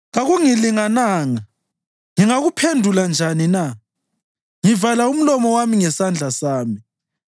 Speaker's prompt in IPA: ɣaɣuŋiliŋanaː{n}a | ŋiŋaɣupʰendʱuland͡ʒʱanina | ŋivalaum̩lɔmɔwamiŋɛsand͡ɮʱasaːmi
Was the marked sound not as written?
yes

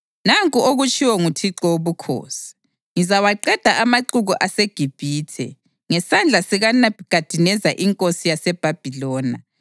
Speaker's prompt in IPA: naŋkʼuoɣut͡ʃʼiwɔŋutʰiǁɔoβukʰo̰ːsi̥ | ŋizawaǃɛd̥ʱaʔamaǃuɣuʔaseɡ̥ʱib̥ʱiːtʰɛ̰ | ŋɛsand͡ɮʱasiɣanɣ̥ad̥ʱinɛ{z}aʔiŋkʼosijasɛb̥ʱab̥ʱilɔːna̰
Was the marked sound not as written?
no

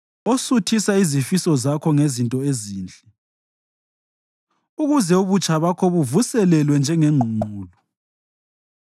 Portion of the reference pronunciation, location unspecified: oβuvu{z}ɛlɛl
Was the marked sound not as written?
yes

